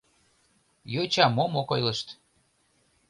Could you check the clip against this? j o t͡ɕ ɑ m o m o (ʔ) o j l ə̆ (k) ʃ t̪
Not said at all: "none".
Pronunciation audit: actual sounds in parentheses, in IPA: k, none

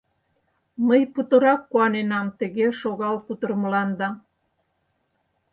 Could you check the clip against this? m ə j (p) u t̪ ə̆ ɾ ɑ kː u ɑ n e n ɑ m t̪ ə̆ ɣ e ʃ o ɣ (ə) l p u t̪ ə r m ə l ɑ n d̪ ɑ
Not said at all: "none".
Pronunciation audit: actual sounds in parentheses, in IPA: p, ɑ

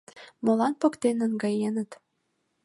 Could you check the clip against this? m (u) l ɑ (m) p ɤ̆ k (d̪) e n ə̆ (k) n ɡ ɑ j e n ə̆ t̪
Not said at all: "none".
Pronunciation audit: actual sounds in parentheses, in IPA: o, n, t̪, none

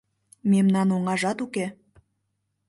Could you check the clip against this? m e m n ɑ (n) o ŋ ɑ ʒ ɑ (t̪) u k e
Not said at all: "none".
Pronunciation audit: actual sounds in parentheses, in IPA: n, t̪

